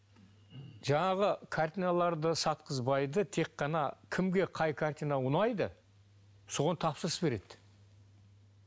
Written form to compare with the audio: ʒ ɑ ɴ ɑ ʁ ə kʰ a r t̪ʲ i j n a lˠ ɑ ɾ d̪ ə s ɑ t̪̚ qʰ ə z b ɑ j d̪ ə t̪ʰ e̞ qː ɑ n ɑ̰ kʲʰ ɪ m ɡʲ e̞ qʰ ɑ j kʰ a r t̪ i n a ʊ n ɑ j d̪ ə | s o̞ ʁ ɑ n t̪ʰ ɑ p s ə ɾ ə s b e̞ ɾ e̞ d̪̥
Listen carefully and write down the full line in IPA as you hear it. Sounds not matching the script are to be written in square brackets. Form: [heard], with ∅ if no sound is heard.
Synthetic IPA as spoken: ʒ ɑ ɴ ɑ ʁ ə kʰ a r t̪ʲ i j n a lˠ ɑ ɾ d̪ ə s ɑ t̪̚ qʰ ə z b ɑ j d̪ ə t̪ʰ e̞ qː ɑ n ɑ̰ kʲʰ ɪ m ɡʲ e̞ qʰ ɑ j kʰ a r t̪ i n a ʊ n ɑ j d̪ ə | s o̞ ʁ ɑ n t̪ʰ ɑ p s ə ɾ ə s b e̞ ɾ e̞ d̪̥